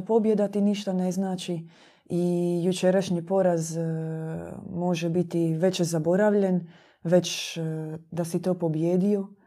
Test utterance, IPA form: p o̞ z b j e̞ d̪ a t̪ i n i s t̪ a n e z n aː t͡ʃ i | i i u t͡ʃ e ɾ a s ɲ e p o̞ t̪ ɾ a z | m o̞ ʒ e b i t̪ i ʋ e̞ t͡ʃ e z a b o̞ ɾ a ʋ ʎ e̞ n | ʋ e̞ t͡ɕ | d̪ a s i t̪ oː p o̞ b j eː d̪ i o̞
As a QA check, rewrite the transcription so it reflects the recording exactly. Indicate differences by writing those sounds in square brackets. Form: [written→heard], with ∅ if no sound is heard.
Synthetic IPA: p o̞ [z→∅] b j e̞ d̪ a t̪ i n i [s→ʃ] t̪ a n e z n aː t͡ʃ i | i [i→j] u t͡ʃ e ɾ a [s→ʃ] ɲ [e→i] p o̞ [t̪→∅] ɾ a z | m o̞ ʒ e b i t̪ i ʋ e̞ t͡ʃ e z a b o̞ ɾ a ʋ ʎ e̞ n | ʋ e̞ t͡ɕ | d̪ a s i t̪ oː p o̞ b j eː d̪ i o̞